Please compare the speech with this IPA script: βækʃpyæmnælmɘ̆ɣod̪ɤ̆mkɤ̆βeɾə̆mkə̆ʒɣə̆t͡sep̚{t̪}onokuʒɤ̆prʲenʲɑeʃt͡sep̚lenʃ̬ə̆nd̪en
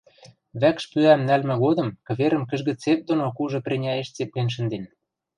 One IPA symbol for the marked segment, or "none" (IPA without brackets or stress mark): d̪